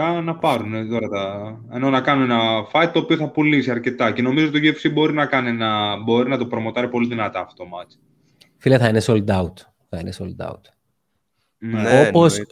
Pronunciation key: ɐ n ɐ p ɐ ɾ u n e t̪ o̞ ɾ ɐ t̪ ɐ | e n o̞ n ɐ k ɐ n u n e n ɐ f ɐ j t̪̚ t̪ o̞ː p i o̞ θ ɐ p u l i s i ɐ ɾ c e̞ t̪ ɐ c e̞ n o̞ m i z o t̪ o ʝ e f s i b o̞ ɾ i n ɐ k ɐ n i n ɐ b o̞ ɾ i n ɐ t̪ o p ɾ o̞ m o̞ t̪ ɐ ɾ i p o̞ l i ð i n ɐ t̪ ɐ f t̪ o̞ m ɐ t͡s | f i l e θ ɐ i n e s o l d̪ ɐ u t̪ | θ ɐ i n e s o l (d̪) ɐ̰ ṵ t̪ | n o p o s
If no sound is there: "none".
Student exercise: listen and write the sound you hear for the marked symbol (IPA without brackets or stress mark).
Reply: d̪